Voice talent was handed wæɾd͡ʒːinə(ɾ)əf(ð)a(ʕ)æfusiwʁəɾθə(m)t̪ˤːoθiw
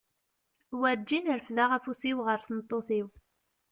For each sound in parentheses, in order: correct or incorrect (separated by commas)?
correct, correct, incorrect, incorrect